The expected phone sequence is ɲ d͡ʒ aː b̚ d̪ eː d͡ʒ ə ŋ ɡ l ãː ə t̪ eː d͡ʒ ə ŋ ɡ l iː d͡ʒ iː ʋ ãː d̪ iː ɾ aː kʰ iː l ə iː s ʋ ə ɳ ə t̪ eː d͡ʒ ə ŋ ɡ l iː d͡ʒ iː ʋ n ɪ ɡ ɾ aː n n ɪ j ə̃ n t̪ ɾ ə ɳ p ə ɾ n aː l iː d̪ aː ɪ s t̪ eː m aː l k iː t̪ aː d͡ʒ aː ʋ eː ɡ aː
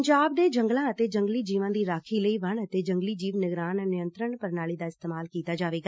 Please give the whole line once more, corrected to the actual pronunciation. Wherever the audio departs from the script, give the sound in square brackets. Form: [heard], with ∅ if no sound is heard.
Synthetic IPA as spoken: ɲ d͡ʒ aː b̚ d̪ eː d͡ʒ ə ŋ ɡ l ãː ə t̪ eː d͡ʒ ə ŋ ɡ l iː d͡ʒ iː ʋ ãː d̪ iː ɾ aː kʰ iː l ə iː [∅] ʋ ə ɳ ə t̪ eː d͡ʒ ə ŋ ɡ l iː d͡ʒ iː ʋ n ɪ ɡ ɾ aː n n ɪ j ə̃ n t̪ ɾ ə ɳ p ə ɾ n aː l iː d̪ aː ɪ s t̪ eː m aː l k iː t̪ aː d͡ʒ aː ʋ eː ɡ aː